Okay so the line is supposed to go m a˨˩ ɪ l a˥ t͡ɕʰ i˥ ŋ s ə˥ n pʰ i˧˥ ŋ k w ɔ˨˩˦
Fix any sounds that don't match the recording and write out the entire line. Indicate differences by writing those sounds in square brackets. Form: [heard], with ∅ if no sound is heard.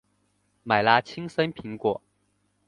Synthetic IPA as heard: m a˨˩ ɪ l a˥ t͡ɕʰ i˥ ŋ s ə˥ n pʰ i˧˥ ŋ k w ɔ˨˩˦